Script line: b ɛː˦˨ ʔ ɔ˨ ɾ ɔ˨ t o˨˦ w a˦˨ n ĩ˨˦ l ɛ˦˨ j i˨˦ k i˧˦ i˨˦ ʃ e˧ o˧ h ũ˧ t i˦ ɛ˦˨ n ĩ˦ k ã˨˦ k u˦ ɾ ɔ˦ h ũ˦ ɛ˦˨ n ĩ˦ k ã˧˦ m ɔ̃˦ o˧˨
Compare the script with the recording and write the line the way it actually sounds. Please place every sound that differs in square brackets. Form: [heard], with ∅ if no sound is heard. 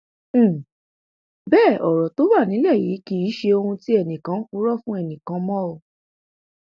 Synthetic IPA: b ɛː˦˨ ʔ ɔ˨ ɾ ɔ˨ t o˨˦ w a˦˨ n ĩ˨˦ l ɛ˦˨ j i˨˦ k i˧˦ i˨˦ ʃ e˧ o˧ h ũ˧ t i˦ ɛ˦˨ n [ĩ˨] k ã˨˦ k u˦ ɾ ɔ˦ [f] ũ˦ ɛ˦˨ n [ĩ˨] k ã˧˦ m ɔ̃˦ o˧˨